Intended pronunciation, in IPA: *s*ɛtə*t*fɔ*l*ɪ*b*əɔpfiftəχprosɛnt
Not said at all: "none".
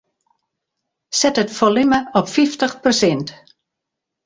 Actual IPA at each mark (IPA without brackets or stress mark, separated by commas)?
s, t, l, m